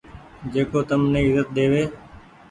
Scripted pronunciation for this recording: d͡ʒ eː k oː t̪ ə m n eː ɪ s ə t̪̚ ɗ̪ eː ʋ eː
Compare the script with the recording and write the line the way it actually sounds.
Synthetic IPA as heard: d͡ʒ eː k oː t̪ ə m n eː ɪ z ə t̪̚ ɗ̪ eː ʋ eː